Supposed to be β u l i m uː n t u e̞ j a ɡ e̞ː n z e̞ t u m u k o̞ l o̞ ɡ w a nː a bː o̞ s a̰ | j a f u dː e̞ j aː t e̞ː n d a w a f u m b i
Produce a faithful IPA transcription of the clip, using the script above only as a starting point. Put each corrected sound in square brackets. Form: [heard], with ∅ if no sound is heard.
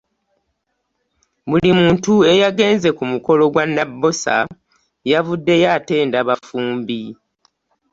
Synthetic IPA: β u l i m uː n t u e̞ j a ɡ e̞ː n z e̞ [k] u m u k o̞ l o̞ ɡ w a nː a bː o̞ s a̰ | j a [v] u dː e̞ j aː t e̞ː n d a [β] a f [uː] m b i